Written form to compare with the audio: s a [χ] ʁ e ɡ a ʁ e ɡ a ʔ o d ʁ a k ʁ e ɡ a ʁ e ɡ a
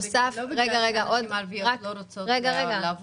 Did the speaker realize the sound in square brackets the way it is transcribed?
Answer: no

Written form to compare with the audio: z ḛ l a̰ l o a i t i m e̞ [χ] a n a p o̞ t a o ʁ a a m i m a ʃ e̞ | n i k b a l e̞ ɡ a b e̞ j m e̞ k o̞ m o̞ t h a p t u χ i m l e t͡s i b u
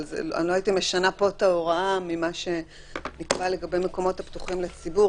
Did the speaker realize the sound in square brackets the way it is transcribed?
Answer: no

